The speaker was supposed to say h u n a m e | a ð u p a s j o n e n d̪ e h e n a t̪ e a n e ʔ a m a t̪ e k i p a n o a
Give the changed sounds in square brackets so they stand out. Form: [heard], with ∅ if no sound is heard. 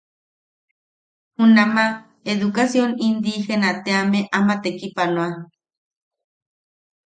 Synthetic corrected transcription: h u n a m [a] | [e] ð u [k] a s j o n [i] n d̪ [i] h e n a t̪ e a [m] e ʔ a m a t̪ e k i p a n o a